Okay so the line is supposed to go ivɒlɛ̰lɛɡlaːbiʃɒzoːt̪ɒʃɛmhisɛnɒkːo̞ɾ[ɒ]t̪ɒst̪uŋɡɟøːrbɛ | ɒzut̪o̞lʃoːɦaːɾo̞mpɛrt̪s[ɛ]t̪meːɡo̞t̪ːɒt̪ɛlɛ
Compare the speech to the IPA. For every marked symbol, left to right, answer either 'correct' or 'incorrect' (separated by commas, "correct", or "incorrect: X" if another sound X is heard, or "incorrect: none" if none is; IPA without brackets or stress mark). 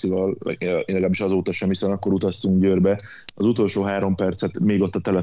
incorrect: u, correct